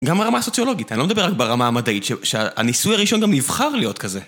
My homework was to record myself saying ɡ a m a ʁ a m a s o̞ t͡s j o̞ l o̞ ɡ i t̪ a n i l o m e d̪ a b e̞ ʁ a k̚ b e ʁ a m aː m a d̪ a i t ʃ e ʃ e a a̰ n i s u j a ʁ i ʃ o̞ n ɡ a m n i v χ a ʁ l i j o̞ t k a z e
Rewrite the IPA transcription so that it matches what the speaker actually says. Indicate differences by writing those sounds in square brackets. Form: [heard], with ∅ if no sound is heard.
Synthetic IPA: ɡ a m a ʁ a m a s o̞ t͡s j o̞ l o̞ ɡ i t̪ a n i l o m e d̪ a b e̞ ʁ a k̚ b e ʁ a m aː m a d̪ a i t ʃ e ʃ e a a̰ n i s u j a ʁ i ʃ o̞ n ɡ a m n i v χ a ʁ l i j o̞ t k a z e